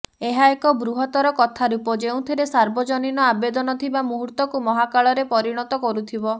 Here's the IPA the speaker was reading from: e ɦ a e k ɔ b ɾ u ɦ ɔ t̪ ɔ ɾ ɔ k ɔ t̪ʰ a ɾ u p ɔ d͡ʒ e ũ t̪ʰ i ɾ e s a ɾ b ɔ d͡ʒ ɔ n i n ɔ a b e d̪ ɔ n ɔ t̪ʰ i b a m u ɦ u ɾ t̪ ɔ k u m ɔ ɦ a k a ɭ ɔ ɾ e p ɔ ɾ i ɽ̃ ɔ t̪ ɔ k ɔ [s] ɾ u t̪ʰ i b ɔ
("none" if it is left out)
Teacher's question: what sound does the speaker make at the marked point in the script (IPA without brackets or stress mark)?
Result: none